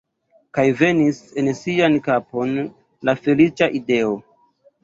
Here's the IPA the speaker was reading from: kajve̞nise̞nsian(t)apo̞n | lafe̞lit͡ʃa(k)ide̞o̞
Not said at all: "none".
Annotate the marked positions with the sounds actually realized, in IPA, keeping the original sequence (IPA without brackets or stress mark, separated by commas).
k, ʔ